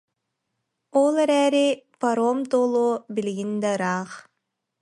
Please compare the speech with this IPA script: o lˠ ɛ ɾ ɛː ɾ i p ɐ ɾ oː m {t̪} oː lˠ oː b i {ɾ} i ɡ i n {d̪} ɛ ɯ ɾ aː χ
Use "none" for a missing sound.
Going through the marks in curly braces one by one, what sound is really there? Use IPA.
t̪, l, d̪

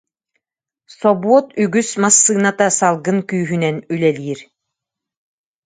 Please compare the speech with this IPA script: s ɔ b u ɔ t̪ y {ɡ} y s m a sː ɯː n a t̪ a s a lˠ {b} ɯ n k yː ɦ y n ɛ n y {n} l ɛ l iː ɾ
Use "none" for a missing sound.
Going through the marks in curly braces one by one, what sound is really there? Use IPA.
ɡ, ɡ, none

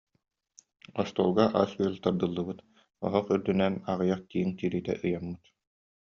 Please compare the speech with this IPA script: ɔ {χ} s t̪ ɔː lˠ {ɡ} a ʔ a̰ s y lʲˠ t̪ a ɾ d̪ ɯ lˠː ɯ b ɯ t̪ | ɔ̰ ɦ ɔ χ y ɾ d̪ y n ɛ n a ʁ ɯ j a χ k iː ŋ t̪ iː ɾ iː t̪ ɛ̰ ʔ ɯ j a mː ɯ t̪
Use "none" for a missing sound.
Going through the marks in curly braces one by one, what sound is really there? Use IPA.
none, ɡ

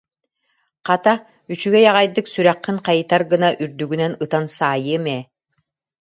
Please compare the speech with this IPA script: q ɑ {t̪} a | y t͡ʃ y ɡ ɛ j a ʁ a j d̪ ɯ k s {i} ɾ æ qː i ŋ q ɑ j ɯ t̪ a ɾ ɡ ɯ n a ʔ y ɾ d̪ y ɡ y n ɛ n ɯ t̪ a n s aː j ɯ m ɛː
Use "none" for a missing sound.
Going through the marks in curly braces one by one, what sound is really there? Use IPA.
t̪, y

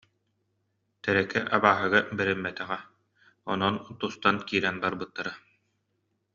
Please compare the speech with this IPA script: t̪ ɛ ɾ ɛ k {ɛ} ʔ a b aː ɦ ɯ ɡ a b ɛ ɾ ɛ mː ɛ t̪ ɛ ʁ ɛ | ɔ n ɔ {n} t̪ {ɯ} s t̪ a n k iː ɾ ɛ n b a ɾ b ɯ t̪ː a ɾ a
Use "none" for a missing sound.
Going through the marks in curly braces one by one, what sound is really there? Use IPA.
ɛ, n, u

